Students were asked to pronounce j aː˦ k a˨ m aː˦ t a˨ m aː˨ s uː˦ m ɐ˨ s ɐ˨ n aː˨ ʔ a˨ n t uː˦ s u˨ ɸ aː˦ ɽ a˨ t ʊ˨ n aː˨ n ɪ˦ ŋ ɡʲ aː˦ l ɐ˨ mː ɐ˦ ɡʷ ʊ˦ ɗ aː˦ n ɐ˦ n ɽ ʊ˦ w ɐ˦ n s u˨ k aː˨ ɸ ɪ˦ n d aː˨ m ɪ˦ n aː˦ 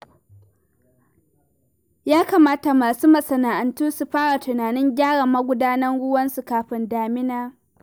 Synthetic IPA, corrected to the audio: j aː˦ k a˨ m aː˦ t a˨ m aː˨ s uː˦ m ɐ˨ s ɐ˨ n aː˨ ʔ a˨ n t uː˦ s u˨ ɸ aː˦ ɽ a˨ t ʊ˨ n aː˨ n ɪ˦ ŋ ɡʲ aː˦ ɽ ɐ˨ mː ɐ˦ ɡʷ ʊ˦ d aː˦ n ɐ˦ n ɽ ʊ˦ w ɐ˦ n s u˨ k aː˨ ɸ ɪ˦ n d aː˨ m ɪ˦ n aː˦

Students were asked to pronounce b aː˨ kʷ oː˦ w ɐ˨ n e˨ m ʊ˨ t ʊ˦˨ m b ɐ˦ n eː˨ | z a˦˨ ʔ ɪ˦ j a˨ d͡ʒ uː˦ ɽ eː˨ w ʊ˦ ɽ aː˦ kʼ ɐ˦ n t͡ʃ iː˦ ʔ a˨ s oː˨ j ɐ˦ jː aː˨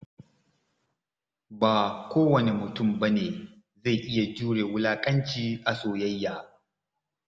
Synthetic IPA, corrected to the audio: b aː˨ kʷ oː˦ w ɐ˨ n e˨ m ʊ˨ t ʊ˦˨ m b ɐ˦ n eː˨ | z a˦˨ ʔ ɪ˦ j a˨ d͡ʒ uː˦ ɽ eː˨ w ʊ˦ l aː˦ kʼ ɐ˦ n t͡ʃ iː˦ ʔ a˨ s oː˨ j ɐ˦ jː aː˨

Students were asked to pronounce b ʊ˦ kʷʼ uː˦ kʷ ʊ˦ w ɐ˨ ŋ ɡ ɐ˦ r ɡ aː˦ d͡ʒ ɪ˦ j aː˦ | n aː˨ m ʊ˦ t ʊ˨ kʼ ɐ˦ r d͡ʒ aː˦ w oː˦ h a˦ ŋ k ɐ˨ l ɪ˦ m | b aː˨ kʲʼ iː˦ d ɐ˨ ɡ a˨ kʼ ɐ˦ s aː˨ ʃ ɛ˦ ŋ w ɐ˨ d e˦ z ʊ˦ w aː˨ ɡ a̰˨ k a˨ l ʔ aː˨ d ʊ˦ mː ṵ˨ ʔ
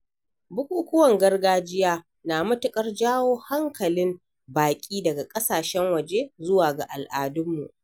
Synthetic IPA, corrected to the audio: b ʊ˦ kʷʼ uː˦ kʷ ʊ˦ w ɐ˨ ŋ ɡ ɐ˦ r ɡ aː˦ d͡ʒ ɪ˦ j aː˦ | n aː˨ m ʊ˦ t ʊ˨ kʼ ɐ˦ r d͡ʒ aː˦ w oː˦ h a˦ ŋ k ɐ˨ l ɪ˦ m | b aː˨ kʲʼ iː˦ d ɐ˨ ɡ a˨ kʼ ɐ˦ s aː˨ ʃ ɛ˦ ŋ w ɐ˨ d͡ʒ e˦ z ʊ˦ w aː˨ ɡ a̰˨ ʔ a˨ l ʔ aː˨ d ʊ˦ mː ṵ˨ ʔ

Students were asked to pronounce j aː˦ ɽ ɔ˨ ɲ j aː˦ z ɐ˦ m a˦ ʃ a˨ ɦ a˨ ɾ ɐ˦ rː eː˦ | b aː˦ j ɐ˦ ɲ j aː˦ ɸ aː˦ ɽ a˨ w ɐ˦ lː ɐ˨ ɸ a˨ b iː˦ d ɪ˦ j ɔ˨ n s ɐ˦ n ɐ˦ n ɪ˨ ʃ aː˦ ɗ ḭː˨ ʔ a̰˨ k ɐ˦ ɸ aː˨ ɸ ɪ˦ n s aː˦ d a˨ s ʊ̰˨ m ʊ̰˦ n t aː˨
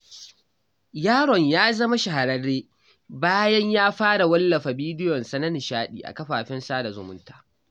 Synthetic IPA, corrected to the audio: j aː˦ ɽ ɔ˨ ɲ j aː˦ z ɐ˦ m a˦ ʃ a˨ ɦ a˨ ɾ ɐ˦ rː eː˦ | b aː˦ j ɐ˦ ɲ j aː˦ ɸ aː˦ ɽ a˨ w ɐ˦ lː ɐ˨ ɸ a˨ b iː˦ d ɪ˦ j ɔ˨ n s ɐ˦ n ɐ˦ n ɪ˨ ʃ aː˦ ɗ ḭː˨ ʔ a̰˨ k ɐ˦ ɸ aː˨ ɸ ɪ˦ n s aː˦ d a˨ z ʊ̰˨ m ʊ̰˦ n t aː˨

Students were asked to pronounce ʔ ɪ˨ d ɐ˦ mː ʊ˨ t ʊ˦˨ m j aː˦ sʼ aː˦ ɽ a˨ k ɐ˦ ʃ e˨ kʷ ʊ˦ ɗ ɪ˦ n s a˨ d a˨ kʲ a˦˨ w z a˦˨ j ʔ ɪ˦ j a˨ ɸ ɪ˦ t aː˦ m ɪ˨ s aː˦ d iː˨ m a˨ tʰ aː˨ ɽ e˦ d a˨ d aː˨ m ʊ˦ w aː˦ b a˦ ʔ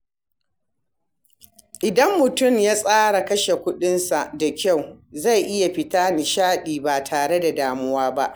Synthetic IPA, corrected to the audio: ʔ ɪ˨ d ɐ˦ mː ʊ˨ t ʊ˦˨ m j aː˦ sʼ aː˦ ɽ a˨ k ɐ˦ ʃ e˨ kʷ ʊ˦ ɗ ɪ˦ n s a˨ d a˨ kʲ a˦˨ w z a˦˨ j ʔ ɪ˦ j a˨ ɸ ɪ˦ t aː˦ n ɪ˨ ʃ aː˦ ɗ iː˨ b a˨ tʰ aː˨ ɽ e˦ d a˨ d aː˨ m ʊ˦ w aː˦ b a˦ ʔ

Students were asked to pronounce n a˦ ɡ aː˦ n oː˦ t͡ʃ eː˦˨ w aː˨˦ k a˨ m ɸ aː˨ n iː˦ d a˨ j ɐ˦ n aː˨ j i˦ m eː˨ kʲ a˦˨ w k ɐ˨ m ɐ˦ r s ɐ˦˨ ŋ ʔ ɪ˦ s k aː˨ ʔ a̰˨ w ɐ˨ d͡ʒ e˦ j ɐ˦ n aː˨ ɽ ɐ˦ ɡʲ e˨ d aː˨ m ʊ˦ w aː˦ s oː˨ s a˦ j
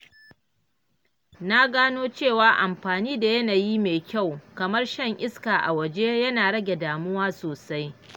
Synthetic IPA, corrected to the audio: n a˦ ɡ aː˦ n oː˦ t͡ʃ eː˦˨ w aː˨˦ ʔ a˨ m ɸ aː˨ n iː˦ d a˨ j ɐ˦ n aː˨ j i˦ m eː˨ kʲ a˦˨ w k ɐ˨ m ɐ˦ r ʃ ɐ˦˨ ŋ ʔ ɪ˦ s k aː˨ ʔ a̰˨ w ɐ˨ d͡ʒ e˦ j ɐ˦ n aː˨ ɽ ɐ˦ ɡʲ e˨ d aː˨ m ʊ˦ w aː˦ s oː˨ s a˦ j

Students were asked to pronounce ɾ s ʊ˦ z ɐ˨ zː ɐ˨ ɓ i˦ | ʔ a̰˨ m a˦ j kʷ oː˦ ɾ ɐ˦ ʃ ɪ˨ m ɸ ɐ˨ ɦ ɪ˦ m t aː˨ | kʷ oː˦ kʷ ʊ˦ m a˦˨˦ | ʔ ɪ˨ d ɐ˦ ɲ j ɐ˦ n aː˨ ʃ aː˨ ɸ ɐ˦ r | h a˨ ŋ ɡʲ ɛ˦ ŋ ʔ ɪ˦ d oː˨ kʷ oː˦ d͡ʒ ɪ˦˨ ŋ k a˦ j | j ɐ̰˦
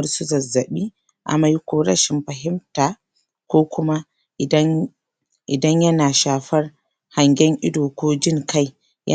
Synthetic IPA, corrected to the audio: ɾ s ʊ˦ z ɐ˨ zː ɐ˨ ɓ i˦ | ʔ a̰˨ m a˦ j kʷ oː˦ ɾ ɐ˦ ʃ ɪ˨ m ɸ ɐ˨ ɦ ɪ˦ m t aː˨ | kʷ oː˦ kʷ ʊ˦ m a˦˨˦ | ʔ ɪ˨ d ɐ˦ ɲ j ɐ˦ n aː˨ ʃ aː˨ ɸ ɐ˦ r | h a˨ ŋ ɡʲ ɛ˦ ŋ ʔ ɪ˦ d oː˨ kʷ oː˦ d͡ʒ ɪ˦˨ ŋ k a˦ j | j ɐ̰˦

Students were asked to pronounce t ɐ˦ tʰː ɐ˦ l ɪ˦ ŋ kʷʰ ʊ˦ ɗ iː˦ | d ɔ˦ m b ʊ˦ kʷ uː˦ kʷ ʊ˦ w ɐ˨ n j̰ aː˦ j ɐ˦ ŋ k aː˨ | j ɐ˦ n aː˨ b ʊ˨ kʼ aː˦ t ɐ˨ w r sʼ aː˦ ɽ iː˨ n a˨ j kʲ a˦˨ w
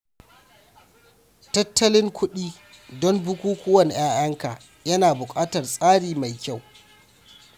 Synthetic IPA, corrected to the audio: t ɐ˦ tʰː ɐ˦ l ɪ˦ ŋ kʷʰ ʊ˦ ɗ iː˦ | d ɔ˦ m b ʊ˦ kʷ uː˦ kʷ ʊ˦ w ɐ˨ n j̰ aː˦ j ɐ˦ ŋ k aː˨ | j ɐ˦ n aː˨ b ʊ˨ kʼ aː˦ t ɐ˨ r sʼ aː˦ ɽ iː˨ m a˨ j kʲ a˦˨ w

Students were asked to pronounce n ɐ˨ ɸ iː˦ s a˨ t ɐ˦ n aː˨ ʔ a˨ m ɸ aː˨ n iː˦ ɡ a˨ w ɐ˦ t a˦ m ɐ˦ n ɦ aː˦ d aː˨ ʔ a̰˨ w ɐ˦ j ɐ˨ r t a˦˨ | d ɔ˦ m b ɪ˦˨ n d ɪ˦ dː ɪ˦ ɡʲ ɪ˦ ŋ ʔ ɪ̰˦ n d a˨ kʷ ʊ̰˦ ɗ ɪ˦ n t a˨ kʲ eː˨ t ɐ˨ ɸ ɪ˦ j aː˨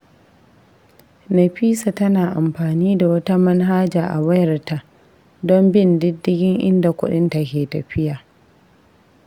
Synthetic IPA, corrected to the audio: n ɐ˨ ɸ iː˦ s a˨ t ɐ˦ n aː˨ ʔ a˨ m ɸ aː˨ n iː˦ d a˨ w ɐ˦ t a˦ m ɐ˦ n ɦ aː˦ d͡ʒ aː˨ ʔ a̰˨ w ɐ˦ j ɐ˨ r t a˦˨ | d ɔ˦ m b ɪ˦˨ n d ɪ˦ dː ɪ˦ ɡʲ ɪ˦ ŋ ʔ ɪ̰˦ n d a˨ kʷ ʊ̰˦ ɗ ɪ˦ n t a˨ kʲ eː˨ t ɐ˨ ɸ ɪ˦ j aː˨

